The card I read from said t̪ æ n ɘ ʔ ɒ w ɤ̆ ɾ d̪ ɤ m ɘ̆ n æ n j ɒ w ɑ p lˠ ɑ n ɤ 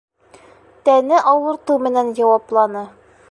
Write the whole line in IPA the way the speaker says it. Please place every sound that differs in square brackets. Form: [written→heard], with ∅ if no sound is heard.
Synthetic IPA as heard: t̪ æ n ɘ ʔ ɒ w ɤ̆ ɾ [d̪→t̪] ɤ m ɘ̆ n æ n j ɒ w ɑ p lˠ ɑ n ɤ